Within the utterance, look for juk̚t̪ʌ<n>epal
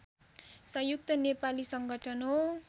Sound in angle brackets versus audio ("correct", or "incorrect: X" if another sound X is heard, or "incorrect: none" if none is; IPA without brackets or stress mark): correct